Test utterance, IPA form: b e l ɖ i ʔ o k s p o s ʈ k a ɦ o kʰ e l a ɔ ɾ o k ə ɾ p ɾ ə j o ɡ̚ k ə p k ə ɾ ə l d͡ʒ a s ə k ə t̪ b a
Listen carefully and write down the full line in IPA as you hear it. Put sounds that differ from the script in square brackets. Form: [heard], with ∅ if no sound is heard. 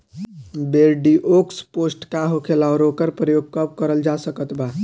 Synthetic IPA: b e [ɾ] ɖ i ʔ o k s p o s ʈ k a ɦ o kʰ e l a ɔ ɾ o k ə ɾ p ɾ ə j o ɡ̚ k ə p k ə ɾ ə l d͡ʒ a s ə k ə t̪ b a